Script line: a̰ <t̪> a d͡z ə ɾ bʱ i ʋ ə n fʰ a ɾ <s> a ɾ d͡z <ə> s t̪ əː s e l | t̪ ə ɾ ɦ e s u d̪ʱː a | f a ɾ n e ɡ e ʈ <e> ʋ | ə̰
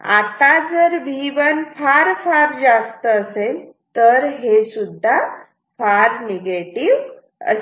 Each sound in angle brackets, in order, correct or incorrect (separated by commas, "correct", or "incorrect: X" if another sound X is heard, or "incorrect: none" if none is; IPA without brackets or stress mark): correct, incorrect: f, incorrect: a, incorrect: i